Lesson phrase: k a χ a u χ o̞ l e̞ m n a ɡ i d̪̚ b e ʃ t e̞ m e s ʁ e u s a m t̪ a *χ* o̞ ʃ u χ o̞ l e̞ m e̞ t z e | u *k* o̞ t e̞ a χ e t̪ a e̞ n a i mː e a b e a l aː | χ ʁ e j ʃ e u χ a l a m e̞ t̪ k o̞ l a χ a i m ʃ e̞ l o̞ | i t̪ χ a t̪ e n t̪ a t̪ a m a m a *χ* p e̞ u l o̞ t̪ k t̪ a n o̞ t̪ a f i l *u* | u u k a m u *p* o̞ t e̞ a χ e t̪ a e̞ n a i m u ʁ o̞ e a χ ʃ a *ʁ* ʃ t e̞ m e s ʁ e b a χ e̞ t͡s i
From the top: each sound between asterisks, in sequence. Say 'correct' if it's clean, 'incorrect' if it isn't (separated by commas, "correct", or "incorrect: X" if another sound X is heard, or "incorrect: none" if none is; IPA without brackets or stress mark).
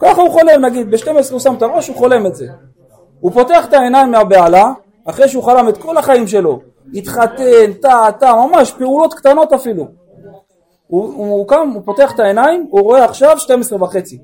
incorrect: ʁ, incorrect: p, incorrect: ʃ, correct, correct, incorrect: v